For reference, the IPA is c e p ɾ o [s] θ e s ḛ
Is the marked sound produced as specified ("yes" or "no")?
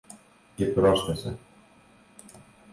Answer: yes